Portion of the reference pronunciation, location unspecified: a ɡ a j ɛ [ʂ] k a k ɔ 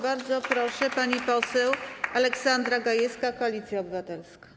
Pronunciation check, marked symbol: incorrect: s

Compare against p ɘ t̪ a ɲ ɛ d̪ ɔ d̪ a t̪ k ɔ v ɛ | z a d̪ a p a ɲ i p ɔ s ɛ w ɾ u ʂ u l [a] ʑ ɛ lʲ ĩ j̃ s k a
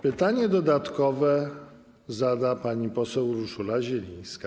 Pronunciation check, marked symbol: correct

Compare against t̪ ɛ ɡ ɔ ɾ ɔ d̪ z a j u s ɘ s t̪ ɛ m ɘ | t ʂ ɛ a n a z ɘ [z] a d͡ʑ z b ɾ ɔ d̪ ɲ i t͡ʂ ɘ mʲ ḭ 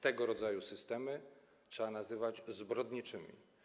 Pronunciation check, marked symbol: incorrect: v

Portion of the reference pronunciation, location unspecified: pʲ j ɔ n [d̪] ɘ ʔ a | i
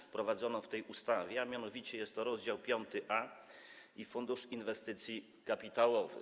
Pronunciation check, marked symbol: incorrect: t̪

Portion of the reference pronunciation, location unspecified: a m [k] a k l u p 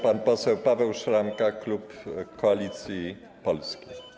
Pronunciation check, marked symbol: correct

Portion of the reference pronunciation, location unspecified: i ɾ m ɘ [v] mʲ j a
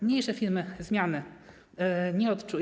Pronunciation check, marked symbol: incorrect: z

